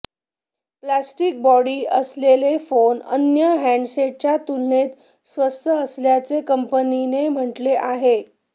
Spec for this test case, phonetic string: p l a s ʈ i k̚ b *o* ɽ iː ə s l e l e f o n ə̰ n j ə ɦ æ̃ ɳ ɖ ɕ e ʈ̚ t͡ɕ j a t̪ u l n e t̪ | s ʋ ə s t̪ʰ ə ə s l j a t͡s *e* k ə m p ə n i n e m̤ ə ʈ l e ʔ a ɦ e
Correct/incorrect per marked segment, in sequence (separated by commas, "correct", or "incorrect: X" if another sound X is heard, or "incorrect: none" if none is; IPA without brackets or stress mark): incorrect: ɔ, correct